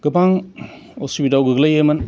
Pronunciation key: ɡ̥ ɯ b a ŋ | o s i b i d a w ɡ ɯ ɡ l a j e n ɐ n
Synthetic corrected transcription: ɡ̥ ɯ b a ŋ | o s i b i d a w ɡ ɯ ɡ l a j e m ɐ n